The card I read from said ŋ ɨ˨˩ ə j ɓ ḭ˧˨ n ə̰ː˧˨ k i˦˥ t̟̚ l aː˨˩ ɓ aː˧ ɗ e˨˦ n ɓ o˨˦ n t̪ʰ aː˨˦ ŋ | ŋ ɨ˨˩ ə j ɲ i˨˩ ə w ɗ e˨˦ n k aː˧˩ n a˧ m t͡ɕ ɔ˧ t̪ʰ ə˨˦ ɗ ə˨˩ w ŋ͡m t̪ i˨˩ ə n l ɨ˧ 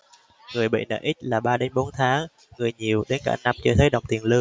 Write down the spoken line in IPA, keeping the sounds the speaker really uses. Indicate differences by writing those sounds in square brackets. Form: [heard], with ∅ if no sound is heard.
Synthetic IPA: ŋ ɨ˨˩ ə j ɓ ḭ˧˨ n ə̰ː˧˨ [ʔ] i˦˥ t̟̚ l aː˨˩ ɓ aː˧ ɗ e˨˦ n ɓ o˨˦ n t̪ʰ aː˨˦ ŋ | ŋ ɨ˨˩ ə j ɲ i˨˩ ə w ɗ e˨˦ n k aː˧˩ n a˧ m t͡ɕ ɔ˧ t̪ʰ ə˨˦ ɗ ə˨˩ w ŋ͡m t̪ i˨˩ ə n l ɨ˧